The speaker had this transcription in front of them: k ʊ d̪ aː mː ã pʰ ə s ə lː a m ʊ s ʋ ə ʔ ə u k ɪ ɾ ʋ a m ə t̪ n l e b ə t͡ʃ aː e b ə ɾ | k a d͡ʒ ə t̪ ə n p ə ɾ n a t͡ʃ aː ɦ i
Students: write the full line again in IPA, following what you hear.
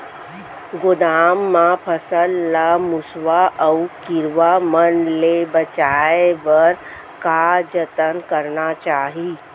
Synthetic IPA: ɡ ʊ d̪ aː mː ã pʰ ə s ə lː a m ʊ s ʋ a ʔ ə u k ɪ ɾ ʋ a m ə n l e b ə t͡ʃ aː e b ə ɾ | k a d͡ʒ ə t̪ ə n k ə ɾ n a t͡ʃ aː ɦ i